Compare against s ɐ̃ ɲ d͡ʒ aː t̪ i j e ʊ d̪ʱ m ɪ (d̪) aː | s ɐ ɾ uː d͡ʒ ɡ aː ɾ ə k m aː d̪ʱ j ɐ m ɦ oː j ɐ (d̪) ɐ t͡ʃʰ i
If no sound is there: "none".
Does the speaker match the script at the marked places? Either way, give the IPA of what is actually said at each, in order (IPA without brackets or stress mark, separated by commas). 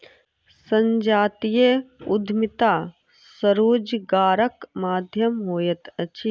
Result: t̪, t̪